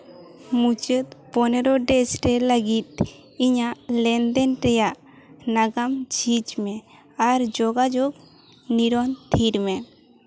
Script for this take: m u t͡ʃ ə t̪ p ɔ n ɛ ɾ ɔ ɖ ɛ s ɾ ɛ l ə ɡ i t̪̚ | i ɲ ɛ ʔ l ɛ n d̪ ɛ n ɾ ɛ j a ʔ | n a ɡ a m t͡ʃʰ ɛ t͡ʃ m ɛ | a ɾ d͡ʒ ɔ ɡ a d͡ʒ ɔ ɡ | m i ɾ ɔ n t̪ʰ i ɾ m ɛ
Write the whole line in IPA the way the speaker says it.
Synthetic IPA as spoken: m u t͡ʃ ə t̪ p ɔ n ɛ ɾ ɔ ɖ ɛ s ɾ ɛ l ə ɡ i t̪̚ | i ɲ a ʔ l ɛ n d̪ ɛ n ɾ ɛ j a ʔ | n a ɡ a m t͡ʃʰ i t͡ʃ m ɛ | a ɾ d͡ʒ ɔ ɡ a d͡ʒ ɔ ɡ | n i ɾ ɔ n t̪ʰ i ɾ m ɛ